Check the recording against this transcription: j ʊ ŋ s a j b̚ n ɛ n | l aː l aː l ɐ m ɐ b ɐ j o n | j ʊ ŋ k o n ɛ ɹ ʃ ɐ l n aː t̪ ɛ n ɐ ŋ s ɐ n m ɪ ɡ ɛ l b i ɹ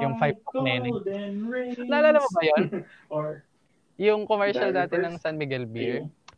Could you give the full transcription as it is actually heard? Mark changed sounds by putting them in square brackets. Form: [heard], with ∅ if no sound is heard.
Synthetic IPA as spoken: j ʊ ŋ [f] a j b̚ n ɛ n | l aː l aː l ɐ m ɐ b ɐ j o n | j ʊ ŋ k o [m] ɛ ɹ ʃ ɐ l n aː t̪ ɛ n ɐ ŋ s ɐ n m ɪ ɡ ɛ l b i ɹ